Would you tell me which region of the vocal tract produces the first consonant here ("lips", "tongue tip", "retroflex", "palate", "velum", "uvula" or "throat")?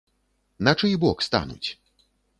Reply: tongue tip